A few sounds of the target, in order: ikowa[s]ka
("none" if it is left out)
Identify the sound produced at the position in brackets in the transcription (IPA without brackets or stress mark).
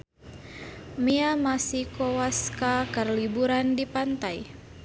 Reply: s